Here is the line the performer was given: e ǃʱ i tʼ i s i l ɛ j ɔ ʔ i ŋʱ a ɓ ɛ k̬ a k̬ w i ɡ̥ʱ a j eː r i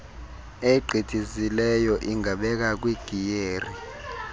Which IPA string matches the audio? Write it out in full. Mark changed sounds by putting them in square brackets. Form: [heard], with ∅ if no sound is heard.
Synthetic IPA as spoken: e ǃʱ i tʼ i [z] i l ɛ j ɔ ʔ i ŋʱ a ɓ ɛ k̬ a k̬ w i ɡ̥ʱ [i] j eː r i